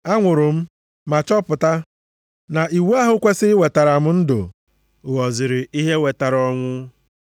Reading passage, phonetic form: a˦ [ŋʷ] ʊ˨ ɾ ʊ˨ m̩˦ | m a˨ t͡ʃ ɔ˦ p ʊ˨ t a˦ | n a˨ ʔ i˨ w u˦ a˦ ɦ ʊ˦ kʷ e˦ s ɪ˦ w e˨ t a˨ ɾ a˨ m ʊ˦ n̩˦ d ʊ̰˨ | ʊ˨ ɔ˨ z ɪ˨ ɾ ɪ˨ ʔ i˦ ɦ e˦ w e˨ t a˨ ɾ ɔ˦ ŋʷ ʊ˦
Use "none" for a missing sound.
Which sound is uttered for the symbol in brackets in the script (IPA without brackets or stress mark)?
ŋʷ